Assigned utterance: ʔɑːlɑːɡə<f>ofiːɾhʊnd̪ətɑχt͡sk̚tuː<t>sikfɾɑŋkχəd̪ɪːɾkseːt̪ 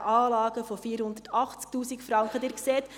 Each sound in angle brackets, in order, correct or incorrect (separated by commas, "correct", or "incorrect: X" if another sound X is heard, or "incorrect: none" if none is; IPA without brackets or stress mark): correct, incorrect: none